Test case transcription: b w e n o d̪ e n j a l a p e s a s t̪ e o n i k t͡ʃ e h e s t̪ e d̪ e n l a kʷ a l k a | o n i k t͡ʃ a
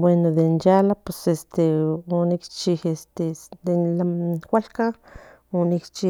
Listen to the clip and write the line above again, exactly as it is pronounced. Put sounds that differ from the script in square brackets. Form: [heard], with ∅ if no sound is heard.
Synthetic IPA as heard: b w e n o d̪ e n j a l a p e s [e] s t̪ e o n i k t͡ʃ [i] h e s t̪ e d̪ e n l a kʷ a l k a | o n i k t͡ʃ [i]